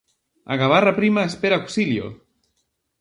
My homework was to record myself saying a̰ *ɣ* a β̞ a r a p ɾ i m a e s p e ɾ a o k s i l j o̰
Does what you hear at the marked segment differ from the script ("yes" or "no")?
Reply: no